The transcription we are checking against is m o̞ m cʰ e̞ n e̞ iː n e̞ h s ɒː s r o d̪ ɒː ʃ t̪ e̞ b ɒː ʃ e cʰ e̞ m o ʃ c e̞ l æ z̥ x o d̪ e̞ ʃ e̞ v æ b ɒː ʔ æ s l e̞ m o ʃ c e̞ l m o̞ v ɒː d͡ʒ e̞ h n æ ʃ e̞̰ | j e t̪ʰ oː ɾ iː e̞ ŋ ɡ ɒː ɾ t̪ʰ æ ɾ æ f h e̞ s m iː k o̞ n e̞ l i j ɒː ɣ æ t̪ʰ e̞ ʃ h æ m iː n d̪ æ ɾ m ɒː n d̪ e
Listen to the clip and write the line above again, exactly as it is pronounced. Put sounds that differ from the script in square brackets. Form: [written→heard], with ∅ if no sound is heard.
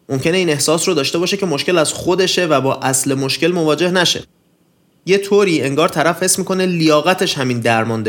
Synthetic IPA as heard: m o̞ m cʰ e̞ n e̞ iː n e̞ h s ɒː s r o d̪ ɒː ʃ t̪ e̞ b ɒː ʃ e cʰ e̞ m o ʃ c e̞ l æ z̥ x o d̪ e̞ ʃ e̞ v æ b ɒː ʔ æ s l e̞ m o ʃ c e̞ l m o̞ v ɒː d͡ʒ e̞ h n æ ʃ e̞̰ | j e t̪ʰ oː ɾ iː e̞ ŋ ɡ ɒː ɾ t̪ʰ æ ɾ æ f h e̞ s m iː k o̞ n e̞ l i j ɒː ɣ æ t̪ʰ e̞ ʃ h æ m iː n d̪ æ ɾ m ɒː n d̪ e